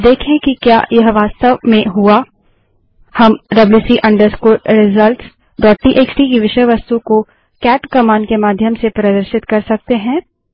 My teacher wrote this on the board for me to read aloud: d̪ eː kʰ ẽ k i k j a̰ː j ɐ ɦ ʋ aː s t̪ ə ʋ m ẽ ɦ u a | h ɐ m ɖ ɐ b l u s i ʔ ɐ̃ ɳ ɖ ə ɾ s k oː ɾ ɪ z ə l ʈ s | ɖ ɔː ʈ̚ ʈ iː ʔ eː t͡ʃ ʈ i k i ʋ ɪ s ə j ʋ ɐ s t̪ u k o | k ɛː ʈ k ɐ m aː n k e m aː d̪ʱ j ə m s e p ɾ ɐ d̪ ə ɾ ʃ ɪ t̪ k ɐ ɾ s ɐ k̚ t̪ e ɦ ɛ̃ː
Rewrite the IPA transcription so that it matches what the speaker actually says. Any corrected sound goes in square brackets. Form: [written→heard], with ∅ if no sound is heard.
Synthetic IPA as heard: d̪ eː kʰ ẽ k i k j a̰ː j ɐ ɦ ʋ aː s t̪ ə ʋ m ẽ ɦ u a | h ɐ m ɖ ɐ b l u s i ʔ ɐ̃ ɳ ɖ ə ɾ s k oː ɾ ɪ z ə l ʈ s | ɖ ɔː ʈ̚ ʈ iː ʔ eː t͡ʃ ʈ i k i ʋ ɪ [s→ʃ] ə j ʋ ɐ s t̪ u k o | k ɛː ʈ k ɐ m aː n k e m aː d̪ʱ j ə m s e p ɾ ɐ d̪ ə ɾ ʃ ɪ t̪ k ɐ ɾ s ɐ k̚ t̪ e ɦ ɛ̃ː